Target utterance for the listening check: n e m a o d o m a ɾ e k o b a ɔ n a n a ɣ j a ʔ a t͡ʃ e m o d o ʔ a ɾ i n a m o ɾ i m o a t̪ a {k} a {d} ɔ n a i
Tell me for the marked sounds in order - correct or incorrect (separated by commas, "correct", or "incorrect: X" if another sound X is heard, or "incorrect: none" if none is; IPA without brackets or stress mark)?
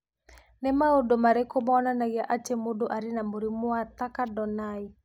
correct, correct